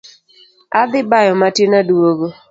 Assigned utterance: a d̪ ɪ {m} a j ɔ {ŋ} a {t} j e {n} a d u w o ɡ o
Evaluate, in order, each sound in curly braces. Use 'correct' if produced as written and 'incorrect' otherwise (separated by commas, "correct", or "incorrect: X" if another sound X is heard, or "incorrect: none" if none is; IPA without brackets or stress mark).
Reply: incorrect: b, incorrect: m, correct, correct